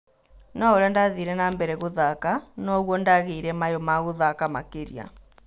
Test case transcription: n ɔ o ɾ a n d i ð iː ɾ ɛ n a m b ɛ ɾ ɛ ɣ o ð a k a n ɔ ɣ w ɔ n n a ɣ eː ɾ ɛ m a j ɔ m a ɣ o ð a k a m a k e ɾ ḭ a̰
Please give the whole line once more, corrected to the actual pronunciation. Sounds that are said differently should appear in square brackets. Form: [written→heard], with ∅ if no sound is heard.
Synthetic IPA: n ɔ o ɾ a n d [i→a] ð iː ɾ ɛ n a m b ɛ ɾ ɛ ɣ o ð a k a n ɔ ɣ w ɔ n [n→d] a ɣ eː ɾ ɛ m a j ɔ m a ɣ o ð a k a m a k e ɾ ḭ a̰